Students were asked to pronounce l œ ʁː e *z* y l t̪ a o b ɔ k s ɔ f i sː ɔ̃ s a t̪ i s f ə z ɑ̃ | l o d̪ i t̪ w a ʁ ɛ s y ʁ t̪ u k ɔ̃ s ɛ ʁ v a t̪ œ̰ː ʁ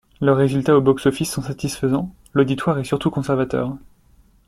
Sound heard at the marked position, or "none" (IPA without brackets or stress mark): z